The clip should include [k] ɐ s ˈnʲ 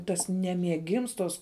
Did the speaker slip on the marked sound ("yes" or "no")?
yes